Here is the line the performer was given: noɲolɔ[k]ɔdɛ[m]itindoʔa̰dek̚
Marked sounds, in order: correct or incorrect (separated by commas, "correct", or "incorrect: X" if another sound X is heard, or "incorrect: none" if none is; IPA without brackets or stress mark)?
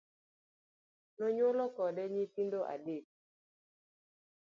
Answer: correct, incorrect: ɲ